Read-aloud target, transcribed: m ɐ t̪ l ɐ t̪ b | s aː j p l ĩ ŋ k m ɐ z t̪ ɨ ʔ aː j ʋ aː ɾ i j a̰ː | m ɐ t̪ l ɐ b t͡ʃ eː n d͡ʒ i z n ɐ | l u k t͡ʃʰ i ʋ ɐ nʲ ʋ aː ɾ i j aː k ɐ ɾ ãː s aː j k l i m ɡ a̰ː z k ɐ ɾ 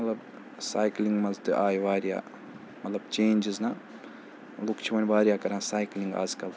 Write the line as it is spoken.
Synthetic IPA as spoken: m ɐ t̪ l ɐ b | s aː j k l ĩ ŋ ɡ m ɐ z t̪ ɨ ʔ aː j ʋ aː ɾ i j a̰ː | m ɐ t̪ l ɐ b t͡ʃ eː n d͡ʒ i z n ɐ | l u k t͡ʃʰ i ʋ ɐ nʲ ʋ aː ɾ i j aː k ɐ ɾ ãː s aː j k l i ŋ ɡ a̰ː z k ɐ l